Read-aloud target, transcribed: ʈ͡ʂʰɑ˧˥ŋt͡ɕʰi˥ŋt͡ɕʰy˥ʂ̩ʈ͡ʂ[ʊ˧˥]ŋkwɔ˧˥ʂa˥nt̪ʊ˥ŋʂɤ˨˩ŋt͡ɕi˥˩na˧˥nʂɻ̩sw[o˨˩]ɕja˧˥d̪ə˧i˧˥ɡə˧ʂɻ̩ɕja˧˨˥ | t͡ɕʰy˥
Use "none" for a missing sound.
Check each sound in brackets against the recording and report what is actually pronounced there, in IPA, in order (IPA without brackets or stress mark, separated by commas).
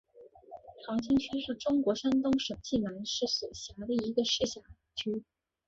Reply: ʊ˥, ɔ˨˩